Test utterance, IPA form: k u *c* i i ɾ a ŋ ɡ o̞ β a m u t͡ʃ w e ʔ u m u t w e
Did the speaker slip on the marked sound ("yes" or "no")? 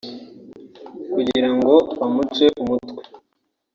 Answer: yes